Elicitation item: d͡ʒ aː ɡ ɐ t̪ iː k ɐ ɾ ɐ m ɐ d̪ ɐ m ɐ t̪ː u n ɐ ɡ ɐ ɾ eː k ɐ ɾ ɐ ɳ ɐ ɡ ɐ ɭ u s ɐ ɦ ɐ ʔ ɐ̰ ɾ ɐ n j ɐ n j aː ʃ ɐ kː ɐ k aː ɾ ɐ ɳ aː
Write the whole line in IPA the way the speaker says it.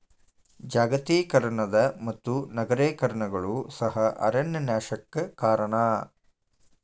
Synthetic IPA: d͡ʒ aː ɡ ɐ t̪ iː k ɐ ɾ ɐ ɳ ɐ d̪ ɐ m ɐ t̪ː u n ɐ ɡ ɐ ɾ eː k ɐ ɾ ɐ ɳ ɐ ɡ ɐ ɭ u s ɐ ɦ ɐ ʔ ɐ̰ ɾ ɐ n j ɐ n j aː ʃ ɐ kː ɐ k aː ɾ ɐ ɳ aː